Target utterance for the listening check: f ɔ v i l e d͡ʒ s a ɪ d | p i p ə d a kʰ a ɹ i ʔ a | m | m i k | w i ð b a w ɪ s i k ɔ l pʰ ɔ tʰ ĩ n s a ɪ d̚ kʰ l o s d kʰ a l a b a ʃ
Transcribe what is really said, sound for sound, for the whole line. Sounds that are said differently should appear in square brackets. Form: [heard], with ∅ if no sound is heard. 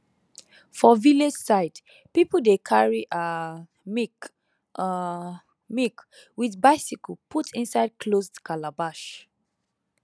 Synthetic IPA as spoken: f ɔ v i l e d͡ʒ s a ɪ d | p i p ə d [e] kʰ a ɹ i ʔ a | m | m i k | w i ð b a [∅] ɪ s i k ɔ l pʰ [u] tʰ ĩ n s a ɪ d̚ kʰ l o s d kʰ a l a b a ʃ